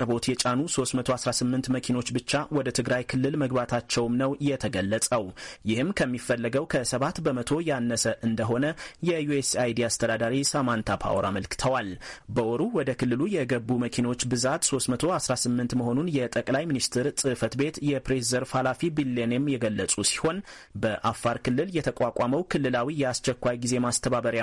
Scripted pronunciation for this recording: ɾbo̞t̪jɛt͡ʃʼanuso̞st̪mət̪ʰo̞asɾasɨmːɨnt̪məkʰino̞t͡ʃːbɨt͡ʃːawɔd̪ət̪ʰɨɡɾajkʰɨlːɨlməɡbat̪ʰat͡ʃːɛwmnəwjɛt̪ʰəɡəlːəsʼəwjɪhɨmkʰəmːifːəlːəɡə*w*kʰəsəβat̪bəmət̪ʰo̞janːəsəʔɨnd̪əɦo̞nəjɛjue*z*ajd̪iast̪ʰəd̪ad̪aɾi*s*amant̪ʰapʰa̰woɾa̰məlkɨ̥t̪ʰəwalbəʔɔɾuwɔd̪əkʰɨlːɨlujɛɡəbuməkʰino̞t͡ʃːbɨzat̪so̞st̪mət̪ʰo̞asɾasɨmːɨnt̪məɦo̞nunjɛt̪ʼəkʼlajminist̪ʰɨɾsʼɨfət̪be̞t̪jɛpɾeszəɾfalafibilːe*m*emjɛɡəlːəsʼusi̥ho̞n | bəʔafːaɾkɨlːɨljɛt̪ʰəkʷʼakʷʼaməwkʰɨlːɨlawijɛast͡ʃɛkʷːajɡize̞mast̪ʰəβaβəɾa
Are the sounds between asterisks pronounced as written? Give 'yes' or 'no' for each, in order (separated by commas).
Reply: yes, no, yes, no